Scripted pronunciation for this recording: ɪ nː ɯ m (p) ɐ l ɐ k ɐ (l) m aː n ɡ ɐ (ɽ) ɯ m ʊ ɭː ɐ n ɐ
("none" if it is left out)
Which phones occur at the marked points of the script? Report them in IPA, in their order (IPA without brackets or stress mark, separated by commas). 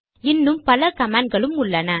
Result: p, none, ɭ